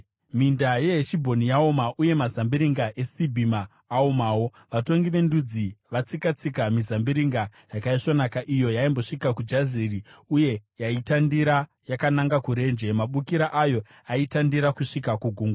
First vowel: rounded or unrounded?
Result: unrounded